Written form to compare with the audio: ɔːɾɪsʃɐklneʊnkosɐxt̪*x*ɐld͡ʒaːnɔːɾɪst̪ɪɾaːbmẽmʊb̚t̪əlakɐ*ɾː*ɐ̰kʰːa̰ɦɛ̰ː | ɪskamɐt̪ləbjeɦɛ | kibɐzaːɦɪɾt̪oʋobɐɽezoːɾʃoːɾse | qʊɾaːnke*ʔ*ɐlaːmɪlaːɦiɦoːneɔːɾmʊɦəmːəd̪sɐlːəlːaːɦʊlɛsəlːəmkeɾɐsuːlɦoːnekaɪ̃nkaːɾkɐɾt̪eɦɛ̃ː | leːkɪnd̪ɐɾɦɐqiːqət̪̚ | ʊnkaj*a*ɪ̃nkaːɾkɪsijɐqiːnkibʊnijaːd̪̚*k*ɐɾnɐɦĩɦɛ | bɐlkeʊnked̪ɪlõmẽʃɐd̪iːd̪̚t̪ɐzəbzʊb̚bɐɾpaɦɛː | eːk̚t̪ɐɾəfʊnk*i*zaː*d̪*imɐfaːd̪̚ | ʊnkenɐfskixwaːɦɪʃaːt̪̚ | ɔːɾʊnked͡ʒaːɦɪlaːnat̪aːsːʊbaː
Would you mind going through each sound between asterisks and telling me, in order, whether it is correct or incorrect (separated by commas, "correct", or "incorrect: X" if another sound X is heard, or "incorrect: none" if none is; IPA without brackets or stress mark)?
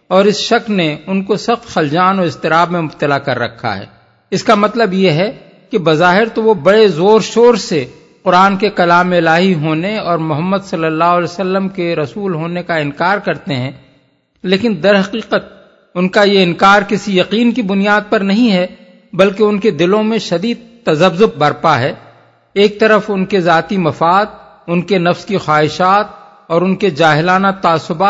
correct, correct, incorrect: k, incorrect: e, incorrect: p, incorrect: e, incorrect: t̪